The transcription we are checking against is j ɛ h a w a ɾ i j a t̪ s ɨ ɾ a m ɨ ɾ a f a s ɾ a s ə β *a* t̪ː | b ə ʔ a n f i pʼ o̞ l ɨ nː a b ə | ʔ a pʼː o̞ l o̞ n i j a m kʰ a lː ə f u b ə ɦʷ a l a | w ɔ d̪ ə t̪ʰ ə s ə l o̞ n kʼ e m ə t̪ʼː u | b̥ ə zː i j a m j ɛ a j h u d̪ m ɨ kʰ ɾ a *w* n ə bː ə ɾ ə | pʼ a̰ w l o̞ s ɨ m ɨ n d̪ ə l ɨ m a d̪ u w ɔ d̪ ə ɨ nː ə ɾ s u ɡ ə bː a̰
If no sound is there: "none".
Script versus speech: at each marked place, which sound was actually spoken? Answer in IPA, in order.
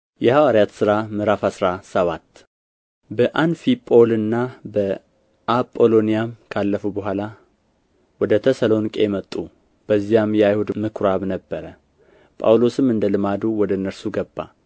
a, β

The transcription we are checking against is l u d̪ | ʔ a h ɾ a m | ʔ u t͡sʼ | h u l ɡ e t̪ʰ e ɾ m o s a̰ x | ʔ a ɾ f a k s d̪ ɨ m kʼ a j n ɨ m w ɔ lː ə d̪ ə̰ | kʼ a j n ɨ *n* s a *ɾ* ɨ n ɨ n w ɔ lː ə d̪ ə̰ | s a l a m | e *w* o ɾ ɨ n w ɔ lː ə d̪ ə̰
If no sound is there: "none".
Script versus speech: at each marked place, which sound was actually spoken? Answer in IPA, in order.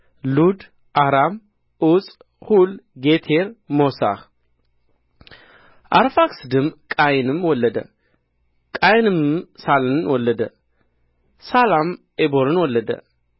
m, l, b

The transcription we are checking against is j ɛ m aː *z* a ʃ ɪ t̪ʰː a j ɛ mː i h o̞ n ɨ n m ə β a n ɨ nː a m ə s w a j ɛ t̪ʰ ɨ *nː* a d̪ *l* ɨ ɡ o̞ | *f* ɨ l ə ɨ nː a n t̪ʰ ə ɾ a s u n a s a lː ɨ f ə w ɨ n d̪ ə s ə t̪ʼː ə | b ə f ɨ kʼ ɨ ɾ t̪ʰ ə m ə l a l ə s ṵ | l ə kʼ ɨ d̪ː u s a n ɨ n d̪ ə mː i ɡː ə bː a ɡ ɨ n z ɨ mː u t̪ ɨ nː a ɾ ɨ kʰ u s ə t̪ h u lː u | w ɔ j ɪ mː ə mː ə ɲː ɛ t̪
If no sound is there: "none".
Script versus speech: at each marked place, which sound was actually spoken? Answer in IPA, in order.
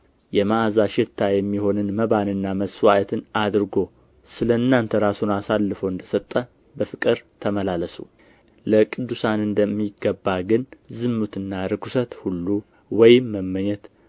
z, n, ɾ, s

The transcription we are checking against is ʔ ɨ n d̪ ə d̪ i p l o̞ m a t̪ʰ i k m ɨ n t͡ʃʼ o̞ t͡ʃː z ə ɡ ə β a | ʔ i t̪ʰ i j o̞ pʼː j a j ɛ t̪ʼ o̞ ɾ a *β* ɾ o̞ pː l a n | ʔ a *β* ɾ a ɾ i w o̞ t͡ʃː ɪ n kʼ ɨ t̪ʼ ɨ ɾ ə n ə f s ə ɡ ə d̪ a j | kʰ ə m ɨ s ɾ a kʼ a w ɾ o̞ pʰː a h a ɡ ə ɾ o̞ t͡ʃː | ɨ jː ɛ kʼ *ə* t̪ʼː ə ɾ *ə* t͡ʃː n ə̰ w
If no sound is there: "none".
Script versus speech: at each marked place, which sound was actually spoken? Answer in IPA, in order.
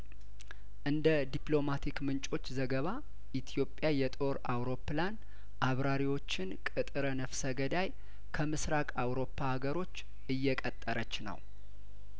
w, β, ə, ə

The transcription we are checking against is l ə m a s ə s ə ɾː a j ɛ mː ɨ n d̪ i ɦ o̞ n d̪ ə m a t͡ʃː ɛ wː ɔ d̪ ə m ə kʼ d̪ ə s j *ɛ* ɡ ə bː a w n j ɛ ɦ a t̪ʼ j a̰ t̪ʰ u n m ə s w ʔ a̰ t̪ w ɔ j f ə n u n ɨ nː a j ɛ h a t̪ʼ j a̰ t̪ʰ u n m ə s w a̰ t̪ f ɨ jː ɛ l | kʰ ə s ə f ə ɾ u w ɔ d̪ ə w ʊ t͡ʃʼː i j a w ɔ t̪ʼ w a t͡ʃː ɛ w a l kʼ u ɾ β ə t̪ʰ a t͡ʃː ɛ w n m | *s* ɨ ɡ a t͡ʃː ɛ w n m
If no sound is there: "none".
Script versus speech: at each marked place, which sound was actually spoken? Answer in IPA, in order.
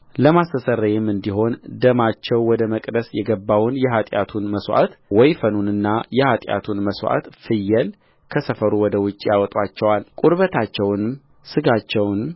ɛ, s

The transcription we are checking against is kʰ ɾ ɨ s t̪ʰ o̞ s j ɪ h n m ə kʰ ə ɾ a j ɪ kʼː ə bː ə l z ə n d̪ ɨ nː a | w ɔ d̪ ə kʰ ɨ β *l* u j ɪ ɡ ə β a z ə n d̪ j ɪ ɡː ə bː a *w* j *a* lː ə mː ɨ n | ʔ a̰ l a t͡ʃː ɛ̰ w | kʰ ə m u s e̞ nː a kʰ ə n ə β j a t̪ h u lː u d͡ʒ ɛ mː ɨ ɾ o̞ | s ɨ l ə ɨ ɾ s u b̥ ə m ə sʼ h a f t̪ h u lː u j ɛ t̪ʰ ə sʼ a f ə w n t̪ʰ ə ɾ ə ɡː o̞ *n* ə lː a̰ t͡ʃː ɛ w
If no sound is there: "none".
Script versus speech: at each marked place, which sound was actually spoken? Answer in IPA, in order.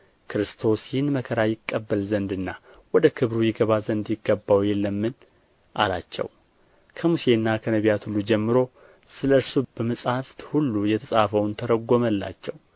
ɾ, w, ɛ, m

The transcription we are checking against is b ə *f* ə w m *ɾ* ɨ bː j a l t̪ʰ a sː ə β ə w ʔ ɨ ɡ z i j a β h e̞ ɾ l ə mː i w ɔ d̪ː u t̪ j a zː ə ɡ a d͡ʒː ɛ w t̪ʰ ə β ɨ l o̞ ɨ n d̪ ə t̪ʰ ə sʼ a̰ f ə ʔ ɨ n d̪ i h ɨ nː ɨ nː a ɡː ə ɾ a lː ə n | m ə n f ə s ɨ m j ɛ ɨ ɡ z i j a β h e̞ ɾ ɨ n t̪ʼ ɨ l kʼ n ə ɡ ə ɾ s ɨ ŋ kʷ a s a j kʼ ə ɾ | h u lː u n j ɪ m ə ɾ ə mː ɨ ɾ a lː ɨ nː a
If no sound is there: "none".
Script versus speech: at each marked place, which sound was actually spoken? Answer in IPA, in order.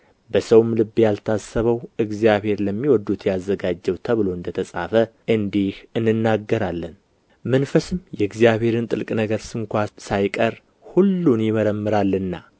s, l

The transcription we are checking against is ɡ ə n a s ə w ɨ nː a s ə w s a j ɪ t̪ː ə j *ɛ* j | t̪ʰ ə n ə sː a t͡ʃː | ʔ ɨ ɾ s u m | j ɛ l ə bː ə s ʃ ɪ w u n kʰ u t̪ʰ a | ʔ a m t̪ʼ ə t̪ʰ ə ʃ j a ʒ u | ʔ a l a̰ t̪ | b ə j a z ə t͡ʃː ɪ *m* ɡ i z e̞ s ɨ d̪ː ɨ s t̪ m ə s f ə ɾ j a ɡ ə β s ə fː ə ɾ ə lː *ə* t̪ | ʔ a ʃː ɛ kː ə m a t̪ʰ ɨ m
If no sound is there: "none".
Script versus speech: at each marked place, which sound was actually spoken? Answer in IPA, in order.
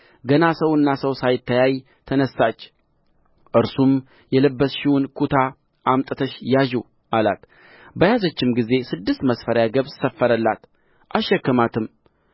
a, m, a

